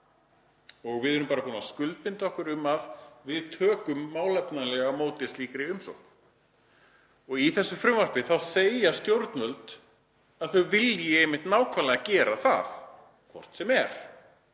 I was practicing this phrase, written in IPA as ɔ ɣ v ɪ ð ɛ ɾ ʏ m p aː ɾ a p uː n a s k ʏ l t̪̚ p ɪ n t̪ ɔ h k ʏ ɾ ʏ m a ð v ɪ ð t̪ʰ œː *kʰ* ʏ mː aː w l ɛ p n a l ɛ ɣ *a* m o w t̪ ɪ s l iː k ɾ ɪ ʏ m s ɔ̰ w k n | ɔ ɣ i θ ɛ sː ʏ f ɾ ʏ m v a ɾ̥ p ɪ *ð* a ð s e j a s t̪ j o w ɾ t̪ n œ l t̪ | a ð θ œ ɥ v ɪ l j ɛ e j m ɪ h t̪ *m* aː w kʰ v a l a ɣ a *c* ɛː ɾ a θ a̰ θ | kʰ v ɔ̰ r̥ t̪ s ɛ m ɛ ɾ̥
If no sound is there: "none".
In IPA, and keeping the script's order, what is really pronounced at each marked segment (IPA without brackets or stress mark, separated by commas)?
k, a, θ, n, c